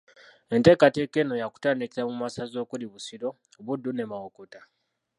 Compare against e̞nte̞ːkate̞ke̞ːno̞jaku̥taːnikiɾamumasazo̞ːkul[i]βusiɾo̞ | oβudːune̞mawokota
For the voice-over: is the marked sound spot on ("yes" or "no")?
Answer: yes